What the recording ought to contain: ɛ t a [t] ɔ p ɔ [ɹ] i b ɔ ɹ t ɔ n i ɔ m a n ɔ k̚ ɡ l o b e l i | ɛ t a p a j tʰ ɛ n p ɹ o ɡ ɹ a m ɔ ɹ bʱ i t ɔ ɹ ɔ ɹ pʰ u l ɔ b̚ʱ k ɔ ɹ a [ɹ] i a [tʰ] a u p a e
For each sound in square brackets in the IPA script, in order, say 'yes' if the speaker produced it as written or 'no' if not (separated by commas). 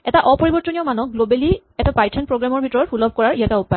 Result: no, yes, yes, no